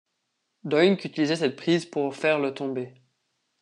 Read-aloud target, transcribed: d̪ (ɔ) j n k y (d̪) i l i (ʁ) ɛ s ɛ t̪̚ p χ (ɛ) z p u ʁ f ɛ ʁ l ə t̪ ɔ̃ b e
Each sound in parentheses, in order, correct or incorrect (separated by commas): correct, incorrect, incorrect, incorrect